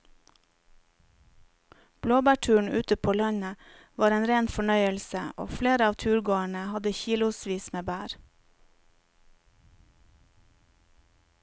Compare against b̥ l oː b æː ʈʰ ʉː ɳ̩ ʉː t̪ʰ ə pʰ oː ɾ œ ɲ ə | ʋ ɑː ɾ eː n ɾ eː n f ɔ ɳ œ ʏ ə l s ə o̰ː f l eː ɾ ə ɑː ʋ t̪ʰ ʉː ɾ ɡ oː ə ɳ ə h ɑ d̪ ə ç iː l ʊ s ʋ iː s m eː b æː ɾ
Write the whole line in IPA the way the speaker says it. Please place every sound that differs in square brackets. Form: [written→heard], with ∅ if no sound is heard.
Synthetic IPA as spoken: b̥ l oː b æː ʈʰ ʉː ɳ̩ ʉː [t̪ʰ→t̪] ə pʰ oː [ɾ→l] œ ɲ ə | ʋ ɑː ɾ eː n ɾ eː n f ɔ ɳ œ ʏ ə l s ə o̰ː f l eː ɾ ə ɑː ʋ t̪ʰ ʉː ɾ ɡ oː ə ɳ ə h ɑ d̪ ə ç iː l ʊ s ʋ iː s m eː b æː ɾ